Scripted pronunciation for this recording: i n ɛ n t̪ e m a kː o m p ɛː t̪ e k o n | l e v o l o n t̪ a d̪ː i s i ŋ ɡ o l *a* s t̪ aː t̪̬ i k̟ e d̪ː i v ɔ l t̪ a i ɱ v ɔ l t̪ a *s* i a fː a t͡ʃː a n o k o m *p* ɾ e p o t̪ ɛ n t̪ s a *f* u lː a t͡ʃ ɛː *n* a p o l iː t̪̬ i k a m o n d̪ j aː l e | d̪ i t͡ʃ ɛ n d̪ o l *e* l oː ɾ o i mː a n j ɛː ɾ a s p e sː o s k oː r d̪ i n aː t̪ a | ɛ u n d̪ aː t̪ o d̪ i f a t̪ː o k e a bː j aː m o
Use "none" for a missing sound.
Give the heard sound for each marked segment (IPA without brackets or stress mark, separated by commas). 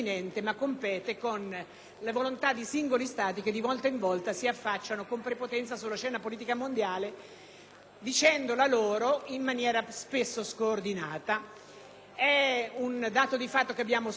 i, s, p, s, n, a